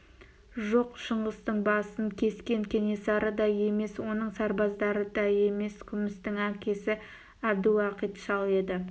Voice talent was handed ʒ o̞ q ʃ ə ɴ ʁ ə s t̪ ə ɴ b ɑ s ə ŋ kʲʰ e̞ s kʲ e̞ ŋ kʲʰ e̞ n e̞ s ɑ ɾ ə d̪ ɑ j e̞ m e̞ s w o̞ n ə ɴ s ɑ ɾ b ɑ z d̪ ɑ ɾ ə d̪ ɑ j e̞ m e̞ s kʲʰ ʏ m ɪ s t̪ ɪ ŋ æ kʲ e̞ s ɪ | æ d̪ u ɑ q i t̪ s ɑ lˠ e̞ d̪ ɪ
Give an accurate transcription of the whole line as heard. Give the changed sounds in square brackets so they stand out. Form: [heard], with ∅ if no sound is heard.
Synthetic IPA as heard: ʒ o̞ q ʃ ə ɴ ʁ ə s t̪ ə ɴ b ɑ s ə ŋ kʲʰ e̞ s kʲ e̞ ŋ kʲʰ e̞ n e̞ s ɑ ɾ ə d̪ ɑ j e̞ m e̞ s w o̞ n ə ɴ s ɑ ɾ b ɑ z d̪ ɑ ɾ ə d̪ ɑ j e̞ m e̞ s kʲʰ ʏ m ɪ s t̪ ɪ ŋ æ kʲ e̞ s ɪ | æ d̪ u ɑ q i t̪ [ʃ] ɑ lˠ e̞ d̪ ɪ